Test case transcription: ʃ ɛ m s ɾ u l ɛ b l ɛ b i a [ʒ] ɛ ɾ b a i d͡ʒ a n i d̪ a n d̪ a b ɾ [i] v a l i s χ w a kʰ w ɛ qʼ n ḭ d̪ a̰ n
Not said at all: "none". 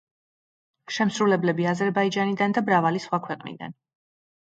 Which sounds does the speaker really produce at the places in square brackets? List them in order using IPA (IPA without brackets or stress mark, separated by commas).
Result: z, a